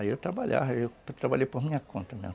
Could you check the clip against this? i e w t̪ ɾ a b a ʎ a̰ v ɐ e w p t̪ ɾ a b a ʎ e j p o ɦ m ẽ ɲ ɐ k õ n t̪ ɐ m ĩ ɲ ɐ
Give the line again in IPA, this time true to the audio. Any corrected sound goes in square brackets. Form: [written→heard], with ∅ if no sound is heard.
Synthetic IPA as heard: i e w t̪ ɾ a b a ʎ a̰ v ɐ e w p t̪ ɾ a b a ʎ e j p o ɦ m [ẽ→ĩ] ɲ ɐ k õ n t̪ ɐ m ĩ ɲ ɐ